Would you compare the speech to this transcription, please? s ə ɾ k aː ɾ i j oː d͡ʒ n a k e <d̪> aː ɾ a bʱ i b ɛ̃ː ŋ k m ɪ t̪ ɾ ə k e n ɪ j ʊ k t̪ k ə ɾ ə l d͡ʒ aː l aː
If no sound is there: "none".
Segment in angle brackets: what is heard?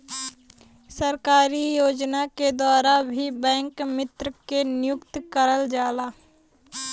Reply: d̪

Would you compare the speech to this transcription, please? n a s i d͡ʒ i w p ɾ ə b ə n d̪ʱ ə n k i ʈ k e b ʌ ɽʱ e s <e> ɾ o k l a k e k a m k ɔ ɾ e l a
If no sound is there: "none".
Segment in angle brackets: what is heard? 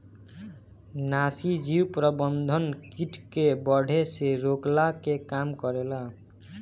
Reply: e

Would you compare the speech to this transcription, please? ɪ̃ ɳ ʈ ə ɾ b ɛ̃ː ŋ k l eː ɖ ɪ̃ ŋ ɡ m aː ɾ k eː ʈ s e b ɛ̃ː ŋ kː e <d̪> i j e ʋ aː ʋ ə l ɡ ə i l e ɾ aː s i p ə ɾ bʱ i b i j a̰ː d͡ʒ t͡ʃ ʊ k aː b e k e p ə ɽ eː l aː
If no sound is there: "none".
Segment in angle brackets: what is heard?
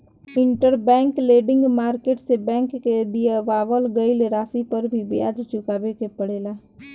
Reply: d̪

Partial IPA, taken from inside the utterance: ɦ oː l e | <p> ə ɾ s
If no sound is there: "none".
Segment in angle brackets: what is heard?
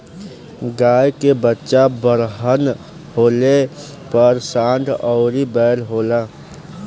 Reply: p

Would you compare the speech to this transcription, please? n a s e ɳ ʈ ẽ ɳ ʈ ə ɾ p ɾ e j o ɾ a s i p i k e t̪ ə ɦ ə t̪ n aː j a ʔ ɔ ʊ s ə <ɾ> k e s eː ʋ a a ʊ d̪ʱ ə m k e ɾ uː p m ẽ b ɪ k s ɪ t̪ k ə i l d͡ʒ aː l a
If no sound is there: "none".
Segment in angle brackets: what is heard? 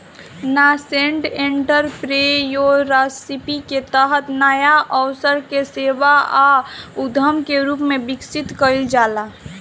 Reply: ɾ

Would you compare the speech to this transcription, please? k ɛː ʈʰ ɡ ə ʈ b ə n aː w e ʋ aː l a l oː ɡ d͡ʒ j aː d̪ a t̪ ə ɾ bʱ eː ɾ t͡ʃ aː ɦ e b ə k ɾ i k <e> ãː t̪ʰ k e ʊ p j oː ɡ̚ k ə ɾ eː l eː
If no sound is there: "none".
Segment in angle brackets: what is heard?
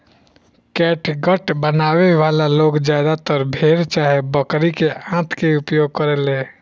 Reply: e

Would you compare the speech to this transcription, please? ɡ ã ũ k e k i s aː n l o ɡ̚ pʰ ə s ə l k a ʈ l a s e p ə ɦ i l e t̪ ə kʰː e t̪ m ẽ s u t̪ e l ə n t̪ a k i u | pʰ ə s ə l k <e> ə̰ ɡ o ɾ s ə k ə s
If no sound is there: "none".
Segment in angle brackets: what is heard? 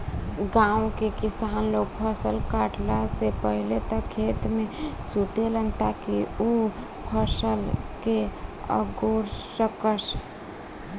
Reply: e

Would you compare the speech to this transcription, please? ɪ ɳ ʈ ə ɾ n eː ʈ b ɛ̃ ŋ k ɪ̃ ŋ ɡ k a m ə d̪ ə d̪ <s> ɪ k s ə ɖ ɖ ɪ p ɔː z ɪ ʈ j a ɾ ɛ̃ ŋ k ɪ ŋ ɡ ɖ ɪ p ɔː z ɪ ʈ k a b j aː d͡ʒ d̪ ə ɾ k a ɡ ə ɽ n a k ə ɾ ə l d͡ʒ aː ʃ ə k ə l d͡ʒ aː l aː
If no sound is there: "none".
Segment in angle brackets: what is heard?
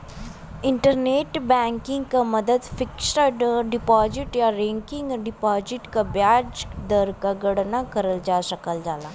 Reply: f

